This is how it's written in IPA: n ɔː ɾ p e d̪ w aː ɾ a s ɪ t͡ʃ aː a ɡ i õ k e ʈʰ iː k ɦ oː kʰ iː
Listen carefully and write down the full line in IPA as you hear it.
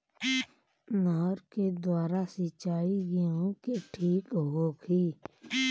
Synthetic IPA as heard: n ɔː ɾ k e d̪ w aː ɾ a s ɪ t͡ʃ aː i ɡ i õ k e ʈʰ iː k ɦ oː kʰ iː